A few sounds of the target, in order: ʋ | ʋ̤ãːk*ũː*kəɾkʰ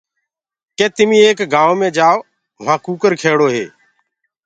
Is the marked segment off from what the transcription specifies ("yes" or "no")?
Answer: yes